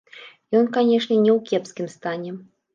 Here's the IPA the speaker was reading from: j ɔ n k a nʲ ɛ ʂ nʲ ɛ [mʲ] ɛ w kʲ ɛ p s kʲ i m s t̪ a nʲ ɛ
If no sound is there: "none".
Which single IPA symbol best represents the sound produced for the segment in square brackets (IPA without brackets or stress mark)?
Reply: nʲ